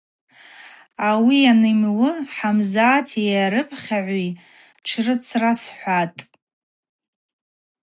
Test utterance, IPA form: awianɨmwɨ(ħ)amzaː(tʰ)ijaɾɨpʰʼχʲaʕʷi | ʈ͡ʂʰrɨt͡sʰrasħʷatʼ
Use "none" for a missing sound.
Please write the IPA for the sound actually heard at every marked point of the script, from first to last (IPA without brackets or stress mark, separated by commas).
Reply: ħ, tʰ